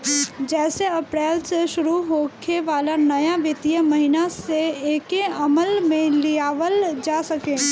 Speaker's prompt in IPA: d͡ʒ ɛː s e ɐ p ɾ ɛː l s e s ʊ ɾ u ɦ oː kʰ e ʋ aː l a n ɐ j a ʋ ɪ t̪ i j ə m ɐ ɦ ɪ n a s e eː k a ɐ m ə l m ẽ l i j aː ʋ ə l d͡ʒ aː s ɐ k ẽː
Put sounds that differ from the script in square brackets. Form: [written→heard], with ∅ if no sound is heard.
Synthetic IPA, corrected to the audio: d͡ʒ ɛː s e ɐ p ɾ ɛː l s e [s→ʃ] ʊ ɾ u ɦ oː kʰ e ʋ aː l a n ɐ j a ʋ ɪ t̪ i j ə m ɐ ɦ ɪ n a s e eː k [a→e] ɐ m ə l m ẽ l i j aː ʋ ə l d͡ʒ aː s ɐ k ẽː